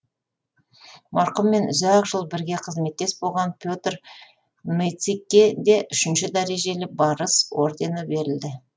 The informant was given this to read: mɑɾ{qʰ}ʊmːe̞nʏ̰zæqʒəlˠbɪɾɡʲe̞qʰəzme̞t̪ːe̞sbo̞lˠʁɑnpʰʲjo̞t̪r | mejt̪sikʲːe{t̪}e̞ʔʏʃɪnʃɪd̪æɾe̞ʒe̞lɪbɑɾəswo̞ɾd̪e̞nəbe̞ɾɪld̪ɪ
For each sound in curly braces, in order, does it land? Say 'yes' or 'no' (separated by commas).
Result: no, no